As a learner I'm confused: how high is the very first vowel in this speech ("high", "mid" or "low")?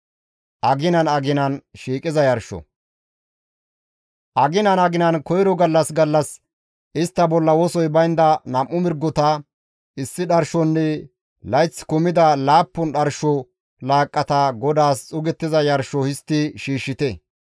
low